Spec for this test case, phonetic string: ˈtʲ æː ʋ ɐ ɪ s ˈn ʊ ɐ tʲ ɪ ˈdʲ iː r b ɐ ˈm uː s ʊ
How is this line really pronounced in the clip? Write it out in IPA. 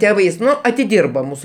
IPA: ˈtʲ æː ʋ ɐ ɪ s ˈn ʊ ɐ tʲ ɪ ˈdʲ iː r b ɐ ˈm uː s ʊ